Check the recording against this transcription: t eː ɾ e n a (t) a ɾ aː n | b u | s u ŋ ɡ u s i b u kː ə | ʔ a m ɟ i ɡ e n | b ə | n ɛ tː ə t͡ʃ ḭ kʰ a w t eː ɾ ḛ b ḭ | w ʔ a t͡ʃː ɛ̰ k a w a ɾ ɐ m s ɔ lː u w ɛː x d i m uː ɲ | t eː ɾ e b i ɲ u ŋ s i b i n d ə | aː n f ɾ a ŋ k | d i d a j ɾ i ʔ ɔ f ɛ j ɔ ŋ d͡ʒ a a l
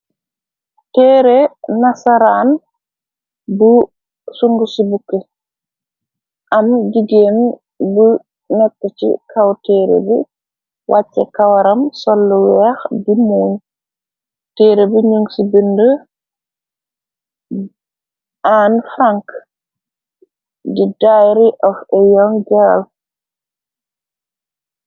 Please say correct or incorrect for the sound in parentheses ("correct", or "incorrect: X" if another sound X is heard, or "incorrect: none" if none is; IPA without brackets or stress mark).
incorrect: s